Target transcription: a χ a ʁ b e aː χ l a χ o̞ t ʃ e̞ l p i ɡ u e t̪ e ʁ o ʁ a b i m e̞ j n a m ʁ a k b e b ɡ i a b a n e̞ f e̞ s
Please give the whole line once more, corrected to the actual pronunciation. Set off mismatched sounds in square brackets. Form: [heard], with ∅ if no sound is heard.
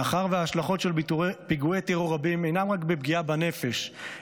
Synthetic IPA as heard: a χ a ʁ [v] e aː [ʃ] l a χ o̞ t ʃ e̞ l p i ɡ u e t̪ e ʁ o ʁ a b i m e̞ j n a m ʁ a k b e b ɡ i a b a n e̞ f e̞ [ʃ]